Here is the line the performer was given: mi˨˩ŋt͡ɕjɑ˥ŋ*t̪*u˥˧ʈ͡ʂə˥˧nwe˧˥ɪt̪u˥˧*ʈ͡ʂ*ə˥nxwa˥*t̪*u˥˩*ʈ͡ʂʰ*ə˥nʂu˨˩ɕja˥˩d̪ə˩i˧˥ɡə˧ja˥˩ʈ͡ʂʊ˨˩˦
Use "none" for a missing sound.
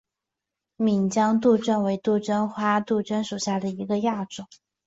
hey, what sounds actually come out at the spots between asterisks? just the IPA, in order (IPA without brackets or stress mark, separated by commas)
t̪, ʈ͡ʂ, t̪, ʈ͡ʂ